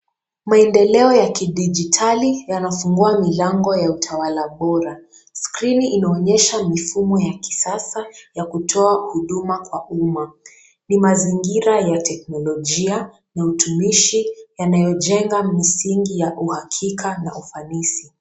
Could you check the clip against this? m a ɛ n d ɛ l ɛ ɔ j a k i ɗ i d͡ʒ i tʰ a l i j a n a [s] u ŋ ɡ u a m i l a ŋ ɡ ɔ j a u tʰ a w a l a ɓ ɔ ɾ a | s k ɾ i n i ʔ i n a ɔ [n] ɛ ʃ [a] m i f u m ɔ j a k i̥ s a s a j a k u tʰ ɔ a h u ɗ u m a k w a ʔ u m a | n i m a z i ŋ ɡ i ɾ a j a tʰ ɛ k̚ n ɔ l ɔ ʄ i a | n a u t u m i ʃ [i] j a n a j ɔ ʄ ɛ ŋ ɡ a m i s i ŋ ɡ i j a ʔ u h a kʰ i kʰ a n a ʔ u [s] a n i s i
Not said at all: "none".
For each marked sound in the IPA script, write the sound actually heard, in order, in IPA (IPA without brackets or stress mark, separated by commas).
f, ɲ, a, i, f